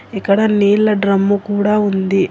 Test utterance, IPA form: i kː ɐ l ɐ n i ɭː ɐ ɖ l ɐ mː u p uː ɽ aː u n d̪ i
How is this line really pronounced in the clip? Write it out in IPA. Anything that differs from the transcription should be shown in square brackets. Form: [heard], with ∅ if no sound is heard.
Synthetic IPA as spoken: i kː ɐ [ɽ] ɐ n [iː] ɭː ɐ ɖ [ɾ] ɐ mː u [k] uː ɽ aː u n d̪ i